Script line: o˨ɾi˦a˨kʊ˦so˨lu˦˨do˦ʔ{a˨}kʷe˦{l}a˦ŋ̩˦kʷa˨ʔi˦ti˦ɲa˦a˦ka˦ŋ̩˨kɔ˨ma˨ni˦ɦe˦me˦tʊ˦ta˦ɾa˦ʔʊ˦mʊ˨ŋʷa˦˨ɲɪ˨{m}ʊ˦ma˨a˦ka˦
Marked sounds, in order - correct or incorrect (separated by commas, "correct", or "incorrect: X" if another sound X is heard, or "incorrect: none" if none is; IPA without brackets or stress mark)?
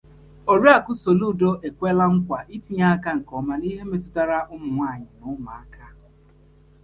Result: incorrect: e˨, correct, incorrect: n